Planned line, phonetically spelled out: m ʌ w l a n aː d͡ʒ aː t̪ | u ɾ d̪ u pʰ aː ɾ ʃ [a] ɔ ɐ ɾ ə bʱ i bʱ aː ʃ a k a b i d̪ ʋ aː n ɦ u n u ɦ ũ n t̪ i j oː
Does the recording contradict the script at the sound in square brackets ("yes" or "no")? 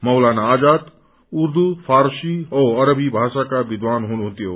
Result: yes